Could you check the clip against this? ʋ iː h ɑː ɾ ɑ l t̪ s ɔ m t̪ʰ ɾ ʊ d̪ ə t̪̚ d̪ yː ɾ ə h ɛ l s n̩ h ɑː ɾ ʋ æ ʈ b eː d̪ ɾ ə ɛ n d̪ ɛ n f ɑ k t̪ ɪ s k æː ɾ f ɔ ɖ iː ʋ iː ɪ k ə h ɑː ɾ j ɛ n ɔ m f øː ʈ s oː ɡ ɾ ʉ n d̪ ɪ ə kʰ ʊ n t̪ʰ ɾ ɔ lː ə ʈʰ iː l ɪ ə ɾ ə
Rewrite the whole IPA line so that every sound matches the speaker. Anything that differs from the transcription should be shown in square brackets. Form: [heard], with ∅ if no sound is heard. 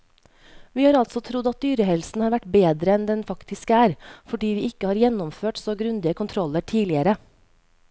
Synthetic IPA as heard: ʋ iː h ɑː ɾ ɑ l t̪ s ɔ [∅] t̪ʰ ɾ ʊ d̪ [ɑ] t̪̚ d̪ yː ɾ ə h ɛ l s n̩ h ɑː ɾ ʋ æ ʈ b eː d̪ ɾ ə ɛ n d̪ ɛ n f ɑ k t̪ ɪ s k æː ɾ f ɔ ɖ iː ʋ iː ɪ k ə h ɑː ɾ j ɛ n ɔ m f øː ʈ s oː ɡ ɾ ʉ n d̪ ɪ ə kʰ ʊ n t̪ʰ ɾ ɔ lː ə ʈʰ iː l ɪ ə ɾ ə